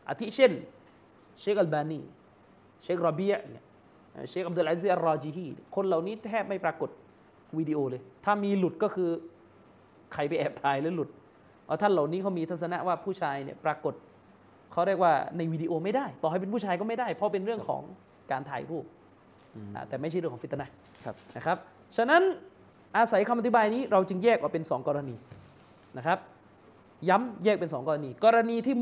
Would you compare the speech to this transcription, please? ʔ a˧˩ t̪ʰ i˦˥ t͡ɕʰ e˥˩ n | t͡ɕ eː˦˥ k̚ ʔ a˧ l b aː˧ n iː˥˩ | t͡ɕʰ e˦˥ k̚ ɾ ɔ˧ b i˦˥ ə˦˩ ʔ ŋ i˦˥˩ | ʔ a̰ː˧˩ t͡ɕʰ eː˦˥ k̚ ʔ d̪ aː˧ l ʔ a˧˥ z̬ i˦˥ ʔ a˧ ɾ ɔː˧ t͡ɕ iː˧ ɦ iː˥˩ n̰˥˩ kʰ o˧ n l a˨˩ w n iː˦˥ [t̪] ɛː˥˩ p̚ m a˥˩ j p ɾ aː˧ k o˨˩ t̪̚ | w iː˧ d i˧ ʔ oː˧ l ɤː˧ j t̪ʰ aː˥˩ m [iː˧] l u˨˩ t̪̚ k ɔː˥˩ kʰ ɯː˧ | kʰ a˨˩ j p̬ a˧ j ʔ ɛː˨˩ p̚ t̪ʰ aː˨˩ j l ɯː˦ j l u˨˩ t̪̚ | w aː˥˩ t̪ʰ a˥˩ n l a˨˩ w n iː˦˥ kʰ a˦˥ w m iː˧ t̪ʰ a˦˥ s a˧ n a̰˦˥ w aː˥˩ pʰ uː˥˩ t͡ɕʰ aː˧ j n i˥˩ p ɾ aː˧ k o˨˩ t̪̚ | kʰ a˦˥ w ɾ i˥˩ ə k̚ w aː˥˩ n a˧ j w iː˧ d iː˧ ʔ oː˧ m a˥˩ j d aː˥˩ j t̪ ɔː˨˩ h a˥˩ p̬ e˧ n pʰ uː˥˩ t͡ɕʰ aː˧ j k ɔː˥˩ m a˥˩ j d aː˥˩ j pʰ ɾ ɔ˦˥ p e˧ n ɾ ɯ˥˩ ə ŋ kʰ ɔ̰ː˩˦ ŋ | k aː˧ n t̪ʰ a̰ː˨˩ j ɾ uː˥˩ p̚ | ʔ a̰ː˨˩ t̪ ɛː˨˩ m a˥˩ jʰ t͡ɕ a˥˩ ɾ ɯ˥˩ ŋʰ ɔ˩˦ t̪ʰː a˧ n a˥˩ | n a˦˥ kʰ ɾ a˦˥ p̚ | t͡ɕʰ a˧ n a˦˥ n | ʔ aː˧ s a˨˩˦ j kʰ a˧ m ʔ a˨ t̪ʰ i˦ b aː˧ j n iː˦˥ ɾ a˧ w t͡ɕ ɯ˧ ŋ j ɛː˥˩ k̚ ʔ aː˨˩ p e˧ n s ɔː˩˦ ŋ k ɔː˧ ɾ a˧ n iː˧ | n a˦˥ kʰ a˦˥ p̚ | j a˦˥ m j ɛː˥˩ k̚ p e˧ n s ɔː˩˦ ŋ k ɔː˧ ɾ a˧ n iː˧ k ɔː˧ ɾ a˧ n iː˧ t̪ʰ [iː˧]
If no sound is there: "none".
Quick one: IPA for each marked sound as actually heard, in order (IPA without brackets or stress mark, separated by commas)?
t̪ʰ, iː˧, iː˥˩